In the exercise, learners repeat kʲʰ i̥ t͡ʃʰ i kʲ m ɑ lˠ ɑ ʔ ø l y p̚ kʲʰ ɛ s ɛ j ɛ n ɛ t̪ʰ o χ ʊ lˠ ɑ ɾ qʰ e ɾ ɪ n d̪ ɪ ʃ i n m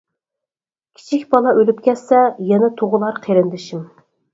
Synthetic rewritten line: kʲʰ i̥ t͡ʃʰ i kʲ b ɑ lˠ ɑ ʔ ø l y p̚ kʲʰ ɛ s ɛ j ɛ n ɛ t̪ʰ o ʁ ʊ lˠ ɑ ɾ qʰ e ɾ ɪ n d̪ ɪ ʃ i m

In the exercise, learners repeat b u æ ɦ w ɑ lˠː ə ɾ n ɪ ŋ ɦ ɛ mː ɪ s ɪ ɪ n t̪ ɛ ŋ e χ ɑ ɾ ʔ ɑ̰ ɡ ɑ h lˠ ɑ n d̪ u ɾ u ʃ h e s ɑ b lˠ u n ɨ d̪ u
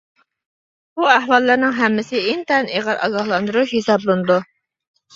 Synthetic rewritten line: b u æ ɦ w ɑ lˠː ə ɾ n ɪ ŋ ɦ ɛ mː ɪ s ɪ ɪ n t̪ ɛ n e ʁ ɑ ɾ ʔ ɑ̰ ɡ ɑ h lˠ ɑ n d̪ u ɾ u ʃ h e s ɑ b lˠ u n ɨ d̪ u

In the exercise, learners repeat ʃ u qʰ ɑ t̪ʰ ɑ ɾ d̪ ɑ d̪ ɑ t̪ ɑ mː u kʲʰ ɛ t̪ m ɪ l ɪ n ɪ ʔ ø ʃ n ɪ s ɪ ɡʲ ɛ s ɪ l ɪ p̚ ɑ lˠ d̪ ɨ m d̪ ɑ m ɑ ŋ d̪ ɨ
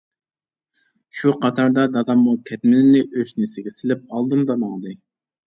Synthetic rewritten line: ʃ u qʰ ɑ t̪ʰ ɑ ɾ d̪ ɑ d̪ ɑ d̪ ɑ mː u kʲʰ ɛ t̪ m ɪ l ɪ n ɪ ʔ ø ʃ n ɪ s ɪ ɡʲ ɛ s ɪ l ɪ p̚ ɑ lˠ d̪ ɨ m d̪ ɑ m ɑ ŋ d̪ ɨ

